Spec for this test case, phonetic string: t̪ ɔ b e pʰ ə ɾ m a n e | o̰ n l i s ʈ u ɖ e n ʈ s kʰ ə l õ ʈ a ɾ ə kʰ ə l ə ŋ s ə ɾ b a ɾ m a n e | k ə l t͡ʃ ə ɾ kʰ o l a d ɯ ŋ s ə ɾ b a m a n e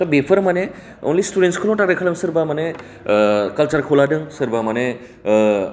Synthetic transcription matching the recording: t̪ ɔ b e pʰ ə ɾ m a n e | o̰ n l i s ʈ u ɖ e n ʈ s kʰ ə l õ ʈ a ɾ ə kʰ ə l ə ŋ s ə ɾ b a m a n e | k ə l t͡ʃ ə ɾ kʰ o l a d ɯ ŋ s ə ɾ b a m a n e